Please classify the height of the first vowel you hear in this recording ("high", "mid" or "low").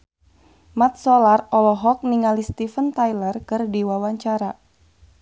low